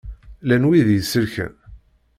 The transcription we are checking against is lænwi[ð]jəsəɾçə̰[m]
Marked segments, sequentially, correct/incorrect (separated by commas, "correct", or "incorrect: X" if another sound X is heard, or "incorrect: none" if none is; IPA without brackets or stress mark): correct, incorrect: n